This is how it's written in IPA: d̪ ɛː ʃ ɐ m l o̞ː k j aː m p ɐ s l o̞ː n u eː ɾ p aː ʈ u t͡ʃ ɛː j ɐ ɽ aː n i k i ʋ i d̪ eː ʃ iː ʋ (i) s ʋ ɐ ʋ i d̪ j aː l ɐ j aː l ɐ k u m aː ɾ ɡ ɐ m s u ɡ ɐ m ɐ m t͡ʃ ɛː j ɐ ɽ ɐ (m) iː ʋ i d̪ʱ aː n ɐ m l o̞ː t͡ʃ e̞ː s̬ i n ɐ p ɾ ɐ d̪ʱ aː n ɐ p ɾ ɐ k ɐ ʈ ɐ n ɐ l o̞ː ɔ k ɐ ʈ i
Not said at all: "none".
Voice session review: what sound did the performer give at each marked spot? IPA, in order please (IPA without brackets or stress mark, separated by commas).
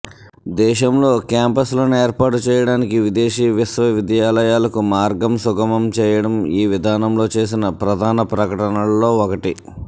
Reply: i, m